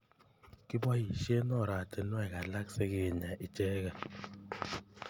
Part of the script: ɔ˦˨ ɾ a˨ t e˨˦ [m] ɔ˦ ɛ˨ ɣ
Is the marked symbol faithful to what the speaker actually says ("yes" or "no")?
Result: no